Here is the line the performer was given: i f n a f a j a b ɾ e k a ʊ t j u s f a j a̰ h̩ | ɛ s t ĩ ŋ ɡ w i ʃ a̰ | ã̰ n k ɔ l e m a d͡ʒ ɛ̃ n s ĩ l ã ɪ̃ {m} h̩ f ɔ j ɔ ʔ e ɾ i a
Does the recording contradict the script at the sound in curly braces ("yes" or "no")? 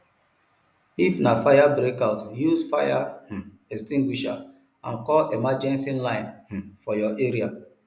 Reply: yes